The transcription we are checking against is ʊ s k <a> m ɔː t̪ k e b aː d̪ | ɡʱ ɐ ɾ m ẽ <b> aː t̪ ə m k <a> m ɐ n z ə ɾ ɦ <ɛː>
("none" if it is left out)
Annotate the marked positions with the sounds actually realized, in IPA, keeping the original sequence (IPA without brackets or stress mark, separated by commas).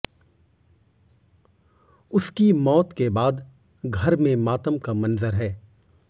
i, m, a, ɛː